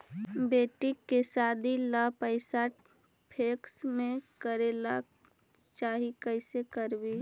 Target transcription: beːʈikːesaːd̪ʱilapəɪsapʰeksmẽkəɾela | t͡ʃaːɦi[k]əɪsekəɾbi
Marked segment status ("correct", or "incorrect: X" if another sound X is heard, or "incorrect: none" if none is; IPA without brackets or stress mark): correct